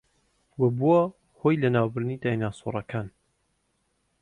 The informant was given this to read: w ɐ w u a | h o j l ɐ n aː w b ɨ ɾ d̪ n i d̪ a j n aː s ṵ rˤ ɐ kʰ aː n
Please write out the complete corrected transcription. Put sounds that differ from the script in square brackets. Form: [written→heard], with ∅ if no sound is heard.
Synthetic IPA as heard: w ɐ [w→b] u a | h o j l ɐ n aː w b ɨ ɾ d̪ n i d̪ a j n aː s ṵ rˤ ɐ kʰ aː n